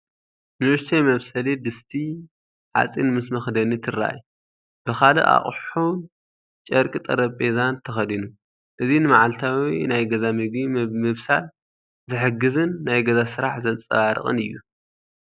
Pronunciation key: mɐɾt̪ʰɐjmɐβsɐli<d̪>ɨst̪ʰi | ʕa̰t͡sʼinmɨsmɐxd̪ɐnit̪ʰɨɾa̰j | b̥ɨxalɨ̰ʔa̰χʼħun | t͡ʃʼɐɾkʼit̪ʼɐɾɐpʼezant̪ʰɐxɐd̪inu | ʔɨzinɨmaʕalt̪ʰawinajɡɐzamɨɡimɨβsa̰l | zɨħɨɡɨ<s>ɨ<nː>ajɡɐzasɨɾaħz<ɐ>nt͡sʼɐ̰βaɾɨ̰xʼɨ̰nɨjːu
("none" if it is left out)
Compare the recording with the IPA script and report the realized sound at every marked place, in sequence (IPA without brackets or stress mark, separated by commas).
d̪, z, nː, ɐ